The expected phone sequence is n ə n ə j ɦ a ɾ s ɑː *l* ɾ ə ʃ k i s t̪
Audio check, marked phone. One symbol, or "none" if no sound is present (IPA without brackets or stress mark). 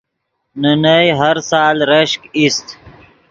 l